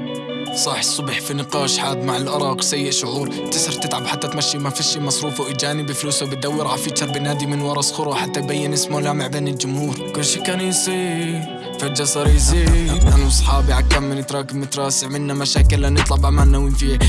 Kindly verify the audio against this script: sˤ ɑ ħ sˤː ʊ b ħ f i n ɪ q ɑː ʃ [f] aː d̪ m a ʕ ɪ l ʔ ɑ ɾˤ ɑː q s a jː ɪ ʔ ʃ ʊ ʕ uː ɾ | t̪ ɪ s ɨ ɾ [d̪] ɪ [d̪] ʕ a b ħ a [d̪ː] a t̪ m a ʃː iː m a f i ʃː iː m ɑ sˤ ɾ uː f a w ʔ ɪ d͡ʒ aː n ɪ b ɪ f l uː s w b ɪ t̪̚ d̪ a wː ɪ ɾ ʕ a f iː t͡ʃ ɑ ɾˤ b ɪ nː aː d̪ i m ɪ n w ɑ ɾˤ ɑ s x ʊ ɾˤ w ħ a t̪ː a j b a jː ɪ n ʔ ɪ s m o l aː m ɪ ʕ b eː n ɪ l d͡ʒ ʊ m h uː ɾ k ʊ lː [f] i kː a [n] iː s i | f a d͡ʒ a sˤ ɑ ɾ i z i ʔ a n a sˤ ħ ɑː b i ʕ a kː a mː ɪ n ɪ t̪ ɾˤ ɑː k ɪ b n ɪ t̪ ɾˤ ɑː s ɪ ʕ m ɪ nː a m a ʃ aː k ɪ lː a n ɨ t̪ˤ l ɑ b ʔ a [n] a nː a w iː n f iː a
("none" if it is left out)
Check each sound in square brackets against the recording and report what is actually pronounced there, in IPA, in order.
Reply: ħ, t̪, t̪, t̪ː, ʃ, n, m

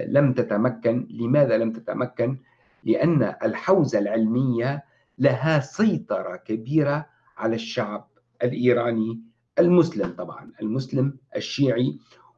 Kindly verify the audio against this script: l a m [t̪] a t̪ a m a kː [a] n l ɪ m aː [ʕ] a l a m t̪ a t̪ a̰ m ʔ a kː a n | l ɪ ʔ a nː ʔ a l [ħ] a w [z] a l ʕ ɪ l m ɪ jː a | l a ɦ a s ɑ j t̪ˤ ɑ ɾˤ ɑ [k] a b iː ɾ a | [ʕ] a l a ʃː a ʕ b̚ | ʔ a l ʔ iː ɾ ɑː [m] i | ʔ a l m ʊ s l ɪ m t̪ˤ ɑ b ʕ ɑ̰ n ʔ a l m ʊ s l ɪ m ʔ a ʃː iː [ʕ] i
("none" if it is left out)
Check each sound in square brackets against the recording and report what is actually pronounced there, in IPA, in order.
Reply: t̪, a, ð, ħ, z, k, ʕ, n, ʕ

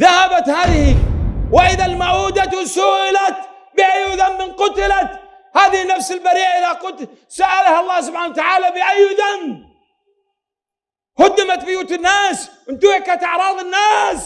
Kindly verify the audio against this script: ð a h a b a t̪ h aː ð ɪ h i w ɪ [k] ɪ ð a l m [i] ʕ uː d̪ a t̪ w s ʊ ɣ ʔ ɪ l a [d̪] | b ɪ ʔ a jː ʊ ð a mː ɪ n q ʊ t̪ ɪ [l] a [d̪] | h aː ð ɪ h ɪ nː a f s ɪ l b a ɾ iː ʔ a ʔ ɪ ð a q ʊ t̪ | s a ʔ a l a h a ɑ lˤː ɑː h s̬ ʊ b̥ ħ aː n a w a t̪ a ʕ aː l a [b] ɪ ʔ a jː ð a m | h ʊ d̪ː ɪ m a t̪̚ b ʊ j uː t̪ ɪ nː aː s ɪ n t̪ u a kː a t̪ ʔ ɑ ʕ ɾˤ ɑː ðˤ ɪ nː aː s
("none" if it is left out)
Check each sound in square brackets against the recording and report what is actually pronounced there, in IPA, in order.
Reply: ʔ, a, t̪, l, t̪, b

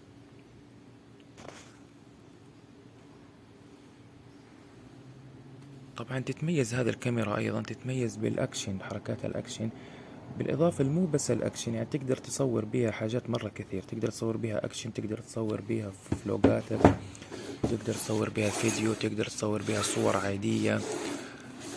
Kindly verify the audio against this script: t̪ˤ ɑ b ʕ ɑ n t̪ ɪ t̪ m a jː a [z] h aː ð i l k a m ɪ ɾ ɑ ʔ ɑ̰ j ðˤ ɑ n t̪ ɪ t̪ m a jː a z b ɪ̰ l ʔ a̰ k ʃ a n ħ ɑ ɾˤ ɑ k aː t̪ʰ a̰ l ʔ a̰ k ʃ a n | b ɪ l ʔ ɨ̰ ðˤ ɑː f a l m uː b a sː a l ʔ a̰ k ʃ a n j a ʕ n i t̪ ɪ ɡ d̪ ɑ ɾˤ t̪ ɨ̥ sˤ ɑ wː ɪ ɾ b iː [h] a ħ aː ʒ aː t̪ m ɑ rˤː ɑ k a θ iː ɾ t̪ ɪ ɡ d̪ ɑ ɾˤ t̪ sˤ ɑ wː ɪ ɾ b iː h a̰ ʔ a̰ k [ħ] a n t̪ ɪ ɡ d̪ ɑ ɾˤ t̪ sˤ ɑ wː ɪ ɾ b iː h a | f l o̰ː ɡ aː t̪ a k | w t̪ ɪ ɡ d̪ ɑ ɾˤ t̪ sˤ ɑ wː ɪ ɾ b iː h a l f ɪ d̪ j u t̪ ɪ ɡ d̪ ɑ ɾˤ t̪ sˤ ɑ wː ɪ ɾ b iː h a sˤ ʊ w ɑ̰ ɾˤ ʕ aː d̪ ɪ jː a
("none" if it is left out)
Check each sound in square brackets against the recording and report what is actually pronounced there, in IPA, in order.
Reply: z, h, ʃ

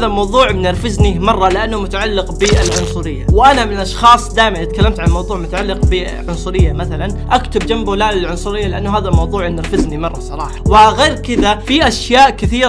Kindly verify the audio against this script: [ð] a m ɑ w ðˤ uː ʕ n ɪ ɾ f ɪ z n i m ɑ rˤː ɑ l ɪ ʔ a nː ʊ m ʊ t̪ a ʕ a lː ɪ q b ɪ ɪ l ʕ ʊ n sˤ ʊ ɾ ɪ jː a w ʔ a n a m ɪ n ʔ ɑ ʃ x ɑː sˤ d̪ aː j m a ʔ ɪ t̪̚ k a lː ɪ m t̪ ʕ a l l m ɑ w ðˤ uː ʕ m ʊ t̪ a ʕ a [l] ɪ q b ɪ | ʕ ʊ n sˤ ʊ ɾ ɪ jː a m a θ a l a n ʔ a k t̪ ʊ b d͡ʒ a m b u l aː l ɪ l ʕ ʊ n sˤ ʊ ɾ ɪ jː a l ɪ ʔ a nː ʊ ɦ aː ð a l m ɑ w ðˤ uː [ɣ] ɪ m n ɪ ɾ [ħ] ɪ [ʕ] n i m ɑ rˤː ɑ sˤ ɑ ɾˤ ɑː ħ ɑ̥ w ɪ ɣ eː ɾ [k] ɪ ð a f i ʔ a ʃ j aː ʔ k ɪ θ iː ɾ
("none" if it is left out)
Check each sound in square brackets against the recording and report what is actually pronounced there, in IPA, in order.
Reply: ð, lː, ʕ, f, z, k

